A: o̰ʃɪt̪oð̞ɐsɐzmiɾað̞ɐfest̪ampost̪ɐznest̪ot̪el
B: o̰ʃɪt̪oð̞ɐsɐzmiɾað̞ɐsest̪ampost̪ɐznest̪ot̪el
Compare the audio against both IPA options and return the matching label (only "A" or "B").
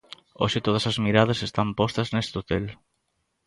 B